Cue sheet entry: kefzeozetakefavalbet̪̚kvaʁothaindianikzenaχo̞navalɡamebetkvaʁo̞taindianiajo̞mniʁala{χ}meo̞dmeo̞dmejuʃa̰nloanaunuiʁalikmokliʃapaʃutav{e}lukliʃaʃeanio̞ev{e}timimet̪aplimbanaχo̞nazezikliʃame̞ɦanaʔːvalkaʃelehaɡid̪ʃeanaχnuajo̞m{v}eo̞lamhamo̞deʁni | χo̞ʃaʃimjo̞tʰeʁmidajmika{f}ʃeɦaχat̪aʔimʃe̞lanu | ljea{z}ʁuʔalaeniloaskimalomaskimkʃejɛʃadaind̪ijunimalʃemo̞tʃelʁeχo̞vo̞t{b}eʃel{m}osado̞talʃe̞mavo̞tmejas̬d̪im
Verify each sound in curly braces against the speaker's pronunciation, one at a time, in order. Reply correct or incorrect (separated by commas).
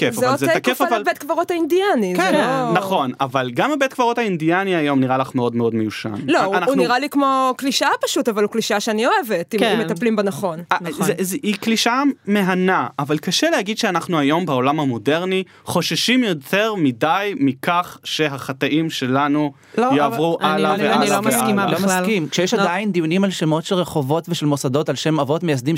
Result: correct, incorrect, correct, incorrect, incorrect, incorrect, incorrect, correct